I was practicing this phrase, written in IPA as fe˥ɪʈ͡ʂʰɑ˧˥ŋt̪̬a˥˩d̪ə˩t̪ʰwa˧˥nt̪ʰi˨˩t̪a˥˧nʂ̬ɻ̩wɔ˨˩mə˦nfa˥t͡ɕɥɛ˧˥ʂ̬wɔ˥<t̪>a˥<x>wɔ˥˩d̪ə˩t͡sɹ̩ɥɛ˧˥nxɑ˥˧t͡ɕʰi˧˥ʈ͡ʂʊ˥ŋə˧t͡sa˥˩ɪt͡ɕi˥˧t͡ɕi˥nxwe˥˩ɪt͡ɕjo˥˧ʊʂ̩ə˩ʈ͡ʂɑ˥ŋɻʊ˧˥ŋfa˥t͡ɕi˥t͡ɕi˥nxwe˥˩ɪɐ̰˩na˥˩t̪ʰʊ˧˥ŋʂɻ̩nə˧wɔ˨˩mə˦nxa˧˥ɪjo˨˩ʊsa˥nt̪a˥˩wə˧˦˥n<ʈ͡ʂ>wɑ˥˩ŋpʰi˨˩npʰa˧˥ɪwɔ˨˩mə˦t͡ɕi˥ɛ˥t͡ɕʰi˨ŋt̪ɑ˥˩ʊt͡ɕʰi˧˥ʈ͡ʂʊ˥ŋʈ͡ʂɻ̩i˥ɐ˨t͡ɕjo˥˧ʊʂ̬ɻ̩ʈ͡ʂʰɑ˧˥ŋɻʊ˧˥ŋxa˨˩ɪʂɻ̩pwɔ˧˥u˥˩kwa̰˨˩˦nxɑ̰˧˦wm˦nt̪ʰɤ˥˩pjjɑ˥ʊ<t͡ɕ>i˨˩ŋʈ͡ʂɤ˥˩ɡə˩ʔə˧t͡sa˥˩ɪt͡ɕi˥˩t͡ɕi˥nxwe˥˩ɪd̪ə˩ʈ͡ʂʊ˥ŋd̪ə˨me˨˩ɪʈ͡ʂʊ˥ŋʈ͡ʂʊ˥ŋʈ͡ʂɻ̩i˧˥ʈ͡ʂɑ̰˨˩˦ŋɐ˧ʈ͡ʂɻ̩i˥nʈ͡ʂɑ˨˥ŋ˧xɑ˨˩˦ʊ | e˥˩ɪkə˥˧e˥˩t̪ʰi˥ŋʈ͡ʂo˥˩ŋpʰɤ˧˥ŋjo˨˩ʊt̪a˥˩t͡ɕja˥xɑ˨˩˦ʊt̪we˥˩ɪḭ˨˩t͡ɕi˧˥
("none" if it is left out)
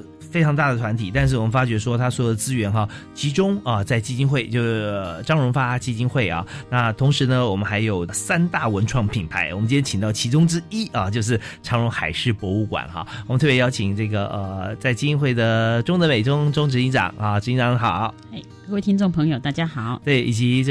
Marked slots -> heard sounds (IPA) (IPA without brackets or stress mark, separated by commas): t̪ʰ, s, ʈ͡ʂʰ, t͡ɕʰ